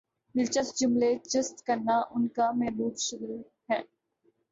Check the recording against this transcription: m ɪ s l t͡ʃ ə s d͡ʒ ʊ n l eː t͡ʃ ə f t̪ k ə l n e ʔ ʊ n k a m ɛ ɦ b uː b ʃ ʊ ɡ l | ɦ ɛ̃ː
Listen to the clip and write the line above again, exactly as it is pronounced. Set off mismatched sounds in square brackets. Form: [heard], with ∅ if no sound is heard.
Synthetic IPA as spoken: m ɪ [∅] l t͡ʃ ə s d͡ʒ ʊ [m] l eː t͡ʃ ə [s] t̪ k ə [ɾ] n [a] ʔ ʊ n k a m ɛ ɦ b uː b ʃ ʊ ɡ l | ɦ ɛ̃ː